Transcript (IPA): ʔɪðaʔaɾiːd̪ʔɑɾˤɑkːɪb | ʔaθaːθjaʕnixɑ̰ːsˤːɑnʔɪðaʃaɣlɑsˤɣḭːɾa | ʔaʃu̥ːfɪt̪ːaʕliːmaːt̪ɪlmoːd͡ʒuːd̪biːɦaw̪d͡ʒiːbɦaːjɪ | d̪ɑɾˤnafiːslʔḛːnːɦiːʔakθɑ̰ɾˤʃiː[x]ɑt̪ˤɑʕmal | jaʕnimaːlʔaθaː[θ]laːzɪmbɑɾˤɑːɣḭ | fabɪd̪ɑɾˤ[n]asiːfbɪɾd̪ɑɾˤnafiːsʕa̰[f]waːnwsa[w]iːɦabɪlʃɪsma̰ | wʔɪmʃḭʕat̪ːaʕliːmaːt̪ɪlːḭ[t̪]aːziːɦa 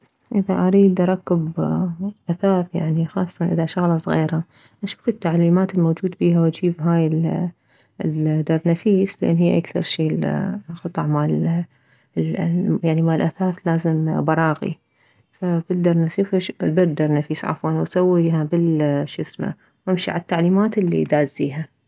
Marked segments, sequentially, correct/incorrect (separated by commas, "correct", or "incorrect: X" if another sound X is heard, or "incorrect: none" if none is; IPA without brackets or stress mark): correct, correct, correct, correct, incorrect: wː, incorrect: d̪